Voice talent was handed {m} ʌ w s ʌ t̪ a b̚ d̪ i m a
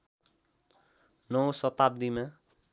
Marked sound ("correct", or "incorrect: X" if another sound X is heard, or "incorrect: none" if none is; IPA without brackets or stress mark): incorrect: n